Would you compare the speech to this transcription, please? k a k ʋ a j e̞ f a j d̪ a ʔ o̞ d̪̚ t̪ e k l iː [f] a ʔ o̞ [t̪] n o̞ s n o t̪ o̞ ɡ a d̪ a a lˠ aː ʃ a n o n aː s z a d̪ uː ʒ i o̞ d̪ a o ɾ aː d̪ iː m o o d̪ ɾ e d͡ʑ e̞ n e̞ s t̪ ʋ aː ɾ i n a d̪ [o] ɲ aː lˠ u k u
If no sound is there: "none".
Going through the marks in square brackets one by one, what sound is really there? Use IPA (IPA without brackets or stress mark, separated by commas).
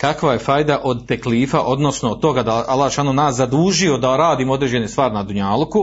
f, d̪, u